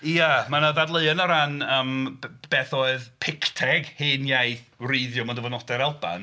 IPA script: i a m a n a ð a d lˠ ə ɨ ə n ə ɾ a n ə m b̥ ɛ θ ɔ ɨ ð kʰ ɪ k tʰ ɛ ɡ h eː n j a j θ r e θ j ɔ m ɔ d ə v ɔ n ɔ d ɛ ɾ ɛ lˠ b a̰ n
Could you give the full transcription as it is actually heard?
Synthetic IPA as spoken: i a m a n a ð a d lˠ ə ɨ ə n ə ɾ a n ə m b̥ ɛ θ ɔ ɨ ð pʰ ɪ k tʰ ɛ ɡ h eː n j a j θ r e ð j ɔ m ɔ d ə v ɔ n ɔ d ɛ ɾ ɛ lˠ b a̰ n